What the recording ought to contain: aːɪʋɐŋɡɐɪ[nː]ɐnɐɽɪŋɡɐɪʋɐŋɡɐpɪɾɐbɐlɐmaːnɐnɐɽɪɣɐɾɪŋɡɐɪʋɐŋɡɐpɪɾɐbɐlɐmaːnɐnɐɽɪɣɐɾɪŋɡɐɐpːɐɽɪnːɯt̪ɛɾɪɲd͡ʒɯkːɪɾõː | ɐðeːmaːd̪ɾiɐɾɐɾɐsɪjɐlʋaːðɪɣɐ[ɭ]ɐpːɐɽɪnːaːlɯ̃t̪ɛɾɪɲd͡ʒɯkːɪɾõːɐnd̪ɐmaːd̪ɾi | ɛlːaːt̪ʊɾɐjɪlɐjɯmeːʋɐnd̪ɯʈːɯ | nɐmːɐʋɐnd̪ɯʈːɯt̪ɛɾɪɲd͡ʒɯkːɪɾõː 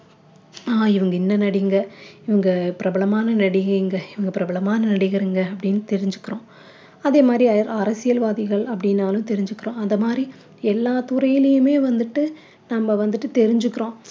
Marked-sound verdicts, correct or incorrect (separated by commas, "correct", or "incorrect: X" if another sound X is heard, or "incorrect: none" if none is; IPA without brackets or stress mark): correct, correct